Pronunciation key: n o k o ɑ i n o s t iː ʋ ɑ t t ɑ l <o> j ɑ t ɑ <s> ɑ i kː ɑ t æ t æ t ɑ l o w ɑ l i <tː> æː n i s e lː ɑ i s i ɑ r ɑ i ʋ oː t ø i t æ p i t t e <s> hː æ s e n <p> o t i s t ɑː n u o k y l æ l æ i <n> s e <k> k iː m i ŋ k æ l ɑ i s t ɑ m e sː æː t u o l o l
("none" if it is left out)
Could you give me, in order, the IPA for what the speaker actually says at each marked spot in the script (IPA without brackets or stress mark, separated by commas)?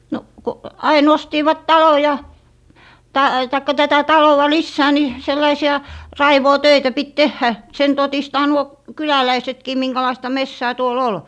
o, t, sː, none, t, none, t